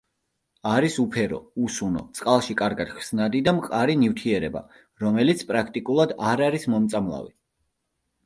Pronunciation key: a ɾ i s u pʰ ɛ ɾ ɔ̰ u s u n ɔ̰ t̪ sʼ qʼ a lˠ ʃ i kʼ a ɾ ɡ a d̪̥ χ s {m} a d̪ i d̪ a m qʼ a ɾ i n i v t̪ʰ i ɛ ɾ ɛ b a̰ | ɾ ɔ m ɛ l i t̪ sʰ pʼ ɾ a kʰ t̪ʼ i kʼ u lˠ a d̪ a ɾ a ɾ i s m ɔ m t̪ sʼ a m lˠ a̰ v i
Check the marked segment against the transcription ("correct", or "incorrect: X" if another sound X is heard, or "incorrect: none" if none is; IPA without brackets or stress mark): incorrect: n